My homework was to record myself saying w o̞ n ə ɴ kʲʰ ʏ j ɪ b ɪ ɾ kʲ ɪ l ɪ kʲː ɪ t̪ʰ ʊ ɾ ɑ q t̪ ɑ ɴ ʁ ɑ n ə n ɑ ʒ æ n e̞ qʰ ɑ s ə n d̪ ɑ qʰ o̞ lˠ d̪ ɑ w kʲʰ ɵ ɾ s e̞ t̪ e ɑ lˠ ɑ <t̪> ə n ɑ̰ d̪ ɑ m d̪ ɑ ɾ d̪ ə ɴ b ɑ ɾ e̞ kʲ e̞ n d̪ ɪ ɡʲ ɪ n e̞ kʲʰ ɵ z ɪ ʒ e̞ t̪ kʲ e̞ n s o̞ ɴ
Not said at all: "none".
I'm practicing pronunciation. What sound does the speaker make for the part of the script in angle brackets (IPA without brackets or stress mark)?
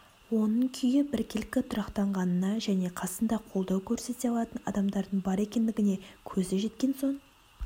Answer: t̪